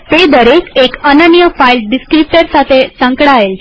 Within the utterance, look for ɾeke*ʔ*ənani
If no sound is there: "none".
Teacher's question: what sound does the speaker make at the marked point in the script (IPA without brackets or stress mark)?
k